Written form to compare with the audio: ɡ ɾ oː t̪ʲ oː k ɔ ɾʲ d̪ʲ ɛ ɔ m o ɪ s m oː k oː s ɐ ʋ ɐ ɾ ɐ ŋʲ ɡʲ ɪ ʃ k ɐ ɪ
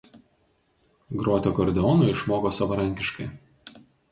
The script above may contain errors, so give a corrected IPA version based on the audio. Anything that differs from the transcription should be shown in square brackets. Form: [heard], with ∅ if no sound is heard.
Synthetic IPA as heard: ɡ ɾ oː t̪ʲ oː k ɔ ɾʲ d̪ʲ ɛ ɔ [n] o ɪ [ʃ] m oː k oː s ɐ ʋ ɐ ɾ ɐ ŋʲ [kʲ] ɪ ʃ k ɐ ɪ